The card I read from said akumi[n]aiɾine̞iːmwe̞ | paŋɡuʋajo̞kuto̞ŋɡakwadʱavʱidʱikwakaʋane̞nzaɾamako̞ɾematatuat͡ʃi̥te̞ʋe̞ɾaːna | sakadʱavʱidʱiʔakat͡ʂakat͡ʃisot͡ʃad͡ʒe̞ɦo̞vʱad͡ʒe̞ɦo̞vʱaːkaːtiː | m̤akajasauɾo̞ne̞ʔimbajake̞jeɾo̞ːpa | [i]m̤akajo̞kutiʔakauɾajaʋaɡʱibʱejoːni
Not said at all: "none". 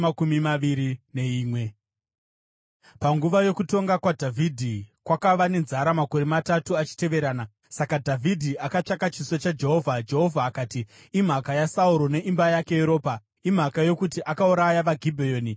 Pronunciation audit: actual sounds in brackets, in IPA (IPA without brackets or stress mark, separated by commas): m, i